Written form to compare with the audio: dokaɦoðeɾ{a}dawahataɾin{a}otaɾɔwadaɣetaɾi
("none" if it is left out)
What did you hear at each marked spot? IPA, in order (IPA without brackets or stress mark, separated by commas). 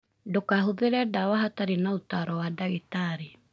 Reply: ɛ, a